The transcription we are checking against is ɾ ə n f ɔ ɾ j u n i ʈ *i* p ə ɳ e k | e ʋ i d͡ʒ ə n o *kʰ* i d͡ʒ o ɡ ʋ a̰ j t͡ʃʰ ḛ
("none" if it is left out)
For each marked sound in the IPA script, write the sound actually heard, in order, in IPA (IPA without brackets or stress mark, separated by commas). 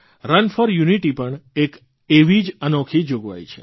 i, kʰ